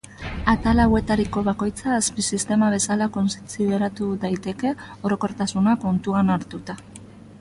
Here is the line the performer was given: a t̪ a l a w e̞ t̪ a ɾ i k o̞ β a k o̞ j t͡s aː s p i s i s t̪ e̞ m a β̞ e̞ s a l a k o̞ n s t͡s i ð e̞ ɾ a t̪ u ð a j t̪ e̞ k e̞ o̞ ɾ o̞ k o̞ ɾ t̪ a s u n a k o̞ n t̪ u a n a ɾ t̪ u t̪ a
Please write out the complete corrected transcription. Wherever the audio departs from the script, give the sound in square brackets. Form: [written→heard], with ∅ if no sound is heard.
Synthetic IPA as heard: a t̪ a l a w e̞ t̪ a ɾ i k o̞ β a k o̞ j t͡s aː s p i s i s t̪ e̞ m a β̞ e̞ s a l a k o̞ n s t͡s i ð e̞ ɾ a t̪ u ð a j t̪ e̞ k e̞ o̞ ɾ o̞ k o̞ ɾ t̪ a s u n a k o̞ n t̪ u a n a ɾ t̪ u t̪ a